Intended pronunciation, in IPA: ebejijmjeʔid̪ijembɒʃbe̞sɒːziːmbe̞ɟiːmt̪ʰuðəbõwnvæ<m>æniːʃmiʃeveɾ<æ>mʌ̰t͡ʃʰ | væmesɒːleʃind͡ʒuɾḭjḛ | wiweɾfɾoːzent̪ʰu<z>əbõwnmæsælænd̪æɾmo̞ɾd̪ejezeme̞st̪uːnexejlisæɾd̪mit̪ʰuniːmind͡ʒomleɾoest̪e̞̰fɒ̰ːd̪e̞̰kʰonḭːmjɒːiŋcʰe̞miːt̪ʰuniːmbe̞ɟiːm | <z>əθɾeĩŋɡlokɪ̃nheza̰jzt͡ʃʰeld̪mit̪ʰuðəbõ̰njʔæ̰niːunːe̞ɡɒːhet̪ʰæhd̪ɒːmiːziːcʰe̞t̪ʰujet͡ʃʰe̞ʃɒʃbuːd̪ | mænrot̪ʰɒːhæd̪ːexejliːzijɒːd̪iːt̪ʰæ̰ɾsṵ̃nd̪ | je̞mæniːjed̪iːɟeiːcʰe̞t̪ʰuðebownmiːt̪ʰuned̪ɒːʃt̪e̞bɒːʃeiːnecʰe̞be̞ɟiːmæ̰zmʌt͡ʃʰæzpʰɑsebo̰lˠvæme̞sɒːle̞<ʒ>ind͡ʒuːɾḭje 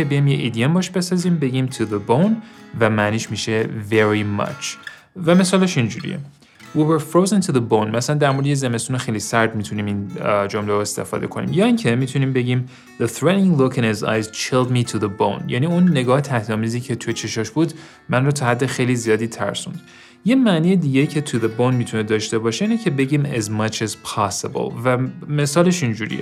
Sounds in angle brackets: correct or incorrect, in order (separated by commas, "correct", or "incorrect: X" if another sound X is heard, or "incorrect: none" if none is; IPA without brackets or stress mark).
correct, incorrect: i, incorrect: ð, incorrect: ð, incorrect: ʃ